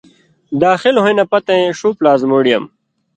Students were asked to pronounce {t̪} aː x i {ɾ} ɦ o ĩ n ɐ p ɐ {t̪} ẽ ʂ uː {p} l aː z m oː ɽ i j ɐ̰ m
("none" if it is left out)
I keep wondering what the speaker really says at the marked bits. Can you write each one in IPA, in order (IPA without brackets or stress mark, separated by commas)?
d̪, l, t̪, p